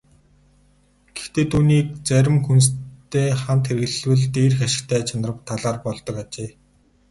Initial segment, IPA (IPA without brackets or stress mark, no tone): ɡ̥